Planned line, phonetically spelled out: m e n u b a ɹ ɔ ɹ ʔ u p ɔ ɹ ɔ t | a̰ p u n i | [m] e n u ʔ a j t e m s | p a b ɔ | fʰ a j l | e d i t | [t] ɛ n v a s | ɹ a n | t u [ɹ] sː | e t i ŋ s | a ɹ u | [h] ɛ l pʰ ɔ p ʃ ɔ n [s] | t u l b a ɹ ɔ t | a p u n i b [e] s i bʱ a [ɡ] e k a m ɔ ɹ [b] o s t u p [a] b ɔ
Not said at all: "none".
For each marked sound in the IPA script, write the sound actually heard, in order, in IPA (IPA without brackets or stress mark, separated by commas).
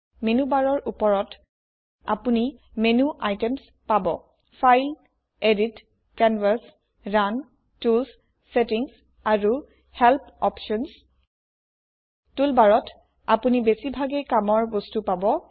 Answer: m, k, l, h, s, e, ɡ, b, a